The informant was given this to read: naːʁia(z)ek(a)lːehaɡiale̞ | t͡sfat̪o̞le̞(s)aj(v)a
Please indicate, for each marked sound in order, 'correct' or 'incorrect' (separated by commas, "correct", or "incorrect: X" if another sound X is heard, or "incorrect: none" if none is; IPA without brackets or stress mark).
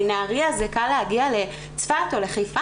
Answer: correct, correct, incorrect: χ, incorrect: f